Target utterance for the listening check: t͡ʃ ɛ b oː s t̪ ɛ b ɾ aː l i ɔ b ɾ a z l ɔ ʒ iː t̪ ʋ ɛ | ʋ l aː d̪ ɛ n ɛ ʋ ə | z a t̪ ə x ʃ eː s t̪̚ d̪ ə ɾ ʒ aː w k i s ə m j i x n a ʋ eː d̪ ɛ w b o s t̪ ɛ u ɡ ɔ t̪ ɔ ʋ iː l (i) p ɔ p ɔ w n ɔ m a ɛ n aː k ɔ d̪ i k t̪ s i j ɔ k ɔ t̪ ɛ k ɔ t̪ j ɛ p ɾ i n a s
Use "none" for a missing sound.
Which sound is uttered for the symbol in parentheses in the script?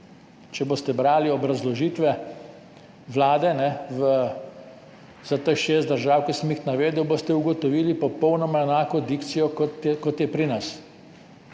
i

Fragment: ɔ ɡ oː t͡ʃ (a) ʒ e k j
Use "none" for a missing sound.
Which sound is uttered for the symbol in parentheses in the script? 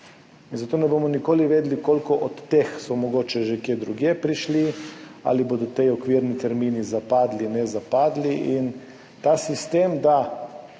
ɛ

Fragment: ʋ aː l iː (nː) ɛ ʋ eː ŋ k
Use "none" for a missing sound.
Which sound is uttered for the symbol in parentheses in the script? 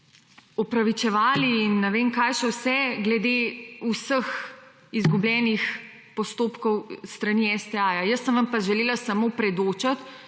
nː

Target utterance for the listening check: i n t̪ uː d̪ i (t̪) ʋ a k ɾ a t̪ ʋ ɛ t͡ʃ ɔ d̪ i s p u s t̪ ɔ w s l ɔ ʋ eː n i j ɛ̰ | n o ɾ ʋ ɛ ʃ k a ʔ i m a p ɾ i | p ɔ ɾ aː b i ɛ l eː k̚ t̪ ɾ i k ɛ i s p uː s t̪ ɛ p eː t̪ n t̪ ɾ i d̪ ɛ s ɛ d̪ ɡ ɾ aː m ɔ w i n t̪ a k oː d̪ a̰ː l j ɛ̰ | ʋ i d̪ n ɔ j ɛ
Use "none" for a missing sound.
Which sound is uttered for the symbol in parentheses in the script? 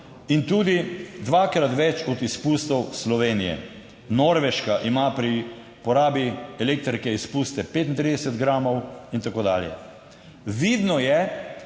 d̪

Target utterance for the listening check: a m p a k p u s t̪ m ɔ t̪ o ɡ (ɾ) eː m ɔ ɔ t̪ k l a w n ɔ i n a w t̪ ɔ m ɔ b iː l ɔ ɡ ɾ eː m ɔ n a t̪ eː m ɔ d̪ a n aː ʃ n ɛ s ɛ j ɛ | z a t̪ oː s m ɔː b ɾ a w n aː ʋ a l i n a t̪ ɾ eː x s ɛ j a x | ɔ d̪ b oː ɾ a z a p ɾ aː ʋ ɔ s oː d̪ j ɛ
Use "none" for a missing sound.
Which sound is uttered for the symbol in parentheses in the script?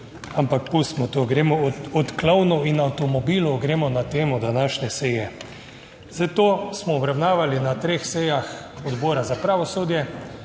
ɾ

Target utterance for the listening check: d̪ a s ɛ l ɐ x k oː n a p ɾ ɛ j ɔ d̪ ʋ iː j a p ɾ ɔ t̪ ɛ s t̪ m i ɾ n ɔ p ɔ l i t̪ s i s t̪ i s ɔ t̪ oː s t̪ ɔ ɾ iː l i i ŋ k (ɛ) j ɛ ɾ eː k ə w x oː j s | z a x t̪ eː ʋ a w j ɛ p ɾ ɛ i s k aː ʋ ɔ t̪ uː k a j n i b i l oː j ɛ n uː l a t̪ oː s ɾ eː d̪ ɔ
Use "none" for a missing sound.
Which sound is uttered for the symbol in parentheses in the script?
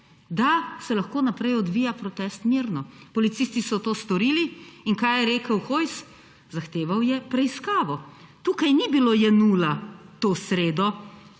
a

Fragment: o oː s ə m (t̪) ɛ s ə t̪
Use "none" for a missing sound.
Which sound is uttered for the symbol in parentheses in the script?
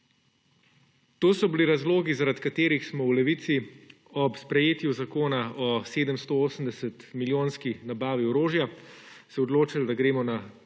d̪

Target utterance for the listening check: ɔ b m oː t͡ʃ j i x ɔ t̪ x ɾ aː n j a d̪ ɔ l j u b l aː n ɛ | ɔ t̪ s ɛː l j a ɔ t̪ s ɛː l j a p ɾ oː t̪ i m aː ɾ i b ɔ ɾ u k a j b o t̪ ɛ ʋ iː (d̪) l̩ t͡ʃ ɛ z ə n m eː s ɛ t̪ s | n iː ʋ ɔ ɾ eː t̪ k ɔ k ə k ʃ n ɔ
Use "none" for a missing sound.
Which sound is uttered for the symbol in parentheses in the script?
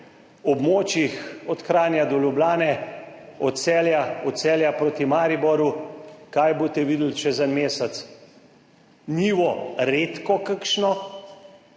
d̪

